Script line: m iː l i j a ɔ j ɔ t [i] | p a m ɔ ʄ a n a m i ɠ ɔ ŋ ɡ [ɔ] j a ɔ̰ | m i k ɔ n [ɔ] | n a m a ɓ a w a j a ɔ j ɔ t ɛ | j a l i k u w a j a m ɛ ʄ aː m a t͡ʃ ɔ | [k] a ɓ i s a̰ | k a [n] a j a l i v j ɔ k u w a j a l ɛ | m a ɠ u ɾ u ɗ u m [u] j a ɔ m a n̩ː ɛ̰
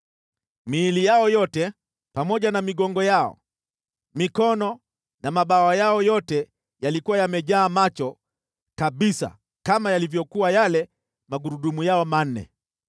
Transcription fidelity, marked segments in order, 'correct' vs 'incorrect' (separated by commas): incorrect, correct, correct, correct, incorrect, correct